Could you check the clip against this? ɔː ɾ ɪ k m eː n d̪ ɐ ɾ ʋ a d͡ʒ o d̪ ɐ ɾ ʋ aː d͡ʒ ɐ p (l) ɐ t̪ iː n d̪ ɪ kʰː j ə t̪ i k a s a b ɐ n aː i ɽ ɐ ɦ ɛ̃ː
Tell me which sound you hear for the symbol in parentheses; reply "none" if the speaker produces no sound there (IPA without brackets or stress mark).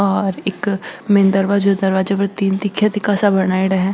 ɾ